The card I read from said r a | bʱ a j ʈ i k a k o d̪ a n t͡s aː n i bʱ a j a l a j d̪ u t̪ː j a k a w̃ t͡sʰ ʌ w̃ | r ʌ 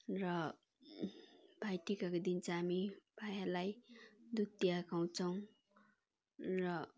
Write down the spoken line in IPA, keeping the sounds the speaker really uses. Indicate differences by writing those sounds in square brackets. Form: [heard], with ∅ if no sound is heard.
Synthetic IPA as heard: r [ʌ] | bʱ a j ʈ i k a k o d̪ [i] n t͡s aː [m] i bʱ a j a l a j d̪ u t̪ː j a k a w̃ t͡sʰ ʌ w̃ | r ʌ